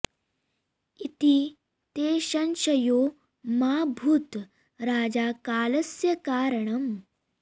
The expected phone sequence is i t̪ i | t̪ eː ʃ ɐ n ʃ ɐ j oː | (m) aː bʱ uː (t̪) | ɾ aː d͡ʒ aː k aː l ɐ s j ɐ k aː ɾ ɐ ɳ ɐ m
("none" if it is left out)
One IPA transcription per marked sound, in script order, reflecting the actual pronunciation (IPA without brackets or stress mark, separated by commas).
m, t̪